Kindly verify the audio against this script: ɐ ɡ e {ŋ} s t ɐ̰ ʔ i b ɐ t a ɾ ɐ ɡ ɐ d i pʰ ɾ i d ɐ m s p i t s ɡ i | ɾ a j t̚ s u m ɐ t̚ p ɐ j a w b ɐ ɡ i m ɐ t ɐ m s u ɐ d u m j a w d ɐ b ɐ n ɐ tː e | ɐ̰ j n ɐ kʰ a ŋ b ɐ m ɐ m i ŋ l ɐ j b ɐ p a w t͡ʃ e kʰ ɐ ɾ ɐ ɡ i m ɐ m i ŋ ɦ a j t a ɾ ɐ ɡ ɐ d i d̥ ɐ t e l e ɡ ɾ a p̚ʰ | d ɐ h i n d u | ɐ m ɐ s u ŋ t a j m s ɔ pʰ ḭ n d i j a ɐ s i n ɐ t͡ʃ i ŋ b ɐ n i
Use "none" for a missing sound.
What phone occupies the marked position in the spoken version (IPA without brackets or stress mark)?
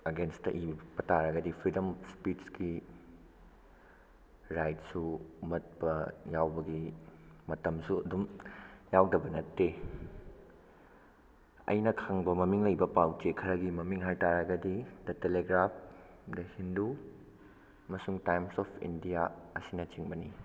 n